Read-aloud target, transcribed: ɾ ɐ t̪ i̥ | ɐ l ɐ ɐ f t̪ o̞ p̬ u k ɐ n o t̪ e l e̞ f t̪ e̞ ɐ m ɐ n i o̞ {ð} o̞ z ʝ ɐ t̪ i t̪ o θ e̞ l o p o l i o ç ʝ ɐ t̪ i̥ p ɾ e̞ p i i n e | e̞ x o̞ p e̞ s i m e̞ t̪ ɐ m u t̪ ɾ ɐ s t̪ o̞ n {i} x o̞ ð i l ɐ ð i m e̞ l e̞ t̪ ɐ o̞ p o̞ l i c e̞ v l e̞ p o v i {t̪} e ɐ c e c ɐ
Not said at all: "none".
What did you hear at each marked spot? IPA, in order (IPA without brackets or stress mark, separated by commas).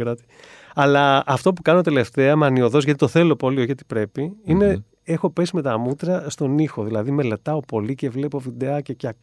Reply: ð, i, d̪